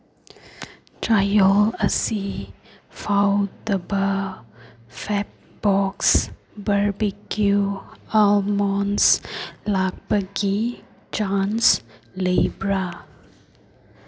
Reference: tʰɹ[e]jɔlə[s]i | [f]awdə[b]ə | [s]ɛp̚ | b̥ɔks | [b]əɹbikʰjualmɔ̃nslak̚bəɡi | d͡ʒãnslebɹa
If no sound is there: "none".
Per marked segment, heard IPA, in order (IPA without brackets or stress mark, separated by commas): a, s, f, b, f, b